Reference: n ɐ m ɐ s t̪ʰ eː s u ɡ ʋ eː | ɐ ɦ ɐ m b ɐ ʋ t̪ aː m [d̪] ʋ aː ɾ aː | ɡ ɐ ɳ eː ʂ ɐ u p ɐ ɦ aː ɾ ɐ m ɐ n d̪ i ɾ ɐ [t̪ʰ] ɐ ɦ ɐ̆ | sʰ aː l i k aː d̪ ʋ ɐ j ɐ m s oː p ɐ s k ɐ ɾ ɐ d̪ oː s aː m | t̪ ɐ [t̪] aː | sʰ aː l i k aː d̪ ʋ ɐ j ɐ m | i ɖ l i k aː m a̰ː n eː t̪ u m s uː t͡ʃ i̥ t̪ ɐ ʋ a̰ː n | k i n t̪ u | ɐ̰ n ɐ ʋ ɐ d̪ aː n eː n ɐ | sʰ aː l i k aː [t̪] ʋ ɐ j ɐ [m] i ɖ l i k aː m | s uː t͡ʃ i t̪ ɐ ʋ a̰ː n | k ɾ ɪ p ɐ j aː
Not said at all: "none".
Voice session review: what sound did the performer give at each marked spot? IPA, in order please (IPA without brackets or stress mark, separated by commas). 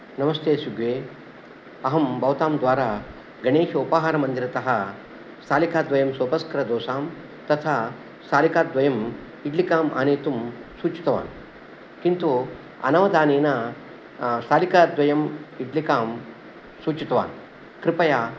d̪, t̪, t̪ʰ, d̪, m